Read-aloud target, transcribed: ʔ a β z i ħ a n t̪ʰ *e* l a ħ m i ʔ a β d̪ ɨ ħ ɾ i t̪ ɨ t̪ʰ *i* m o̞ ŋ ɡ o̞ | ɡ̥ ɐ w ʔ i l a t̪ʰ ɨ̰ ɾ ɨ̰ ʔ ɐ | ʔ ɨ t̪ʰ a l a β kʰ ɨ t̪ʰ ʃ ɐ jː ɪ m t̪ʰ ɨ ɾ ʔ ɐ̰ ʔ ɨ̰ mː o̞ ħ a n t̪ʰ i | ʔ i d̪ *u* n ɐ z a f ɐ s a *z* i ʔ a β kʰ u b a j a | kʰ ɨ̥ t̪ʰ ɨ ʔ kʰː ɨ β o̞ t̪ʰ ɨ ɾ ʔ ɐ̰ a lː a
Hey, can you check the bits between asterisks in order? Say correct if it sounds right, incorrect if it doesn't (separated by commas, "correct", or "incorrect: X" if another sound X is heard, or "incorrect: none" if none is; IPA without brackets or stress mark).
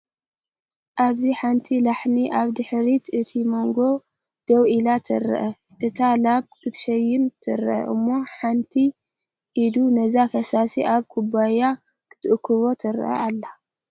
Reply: incorrect: i, correct, correct, incorrect: s